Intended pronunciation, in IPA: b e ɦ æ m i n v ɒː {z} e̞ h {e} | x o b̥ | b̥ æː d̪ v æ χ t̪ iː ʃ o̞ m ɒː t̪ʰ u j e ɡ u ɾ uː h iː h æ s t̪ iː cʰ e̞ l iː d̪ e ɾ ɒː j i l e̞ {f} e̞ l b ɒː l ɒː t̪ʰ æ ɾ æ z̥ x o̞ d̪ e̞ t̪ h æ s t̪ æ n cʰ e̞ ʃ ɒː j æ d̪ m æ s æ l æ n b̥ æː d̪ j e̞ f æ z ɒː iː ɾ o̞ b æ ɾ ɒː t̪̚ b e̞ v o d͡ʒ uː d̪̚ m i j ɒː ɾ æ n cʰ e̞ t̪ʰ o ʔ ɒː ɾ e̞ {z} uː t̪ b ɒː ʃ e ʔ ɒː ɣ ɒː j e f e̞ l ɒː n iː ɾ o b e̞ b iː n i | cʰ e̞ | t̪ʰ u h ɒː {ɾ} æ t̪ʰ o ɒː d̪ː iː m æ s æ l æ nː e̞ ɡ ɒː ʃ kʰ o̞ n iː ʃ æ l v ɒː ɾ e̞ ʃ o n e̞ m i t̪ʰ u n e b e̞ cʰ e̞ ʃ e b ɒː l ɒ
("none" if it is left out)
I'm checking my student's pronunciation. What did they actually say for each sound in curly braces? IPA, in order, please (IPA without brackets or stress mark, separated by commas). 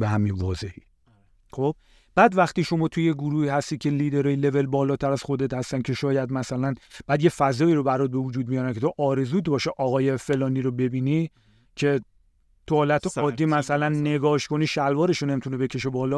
z, i, v, z, l